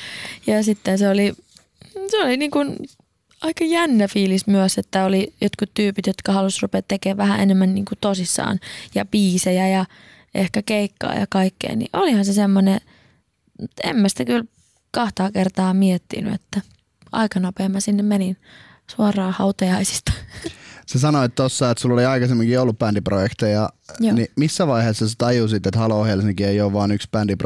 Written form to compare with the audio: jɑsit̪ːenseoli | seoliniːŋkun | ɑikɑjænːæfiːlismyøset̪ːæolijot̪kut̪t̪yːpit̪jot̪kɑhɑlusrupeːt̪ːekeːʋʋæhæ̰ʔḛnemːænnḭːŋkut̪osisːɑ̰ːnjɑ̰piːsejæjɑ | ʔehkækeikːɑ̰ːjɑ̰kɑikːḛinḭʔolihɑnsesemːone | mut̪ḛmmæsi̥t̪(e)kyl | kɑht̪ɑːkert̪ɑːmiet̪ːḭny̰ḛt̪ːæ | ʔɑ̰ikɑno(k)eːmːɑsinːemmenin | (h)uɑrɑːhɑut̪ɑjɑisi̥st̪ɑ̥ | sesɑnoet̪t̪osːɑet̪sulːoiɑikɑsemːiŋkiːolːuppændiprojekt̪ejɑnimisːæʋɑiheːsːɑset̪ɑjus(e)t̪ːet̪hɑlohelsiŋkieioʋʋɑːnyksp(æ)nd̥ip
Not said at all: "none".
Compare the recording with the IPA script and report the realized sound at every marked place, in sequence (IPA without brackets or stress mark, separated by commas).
æ, p, s, i, æ